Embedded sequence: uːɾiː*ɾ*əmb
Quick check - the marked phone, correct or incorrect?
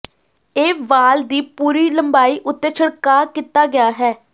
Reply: incorrect